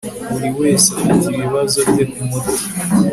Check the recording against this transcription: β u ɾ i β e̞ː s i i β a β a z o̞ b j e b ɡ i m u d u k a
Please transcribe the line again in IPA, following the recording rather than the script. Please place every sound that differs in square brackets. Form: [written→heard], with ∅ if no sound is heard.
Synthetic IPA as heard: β u ɾ i [β→w] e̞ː s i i β [a→i] β a z o̞ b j e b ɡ i m [u→o] d [u→o] k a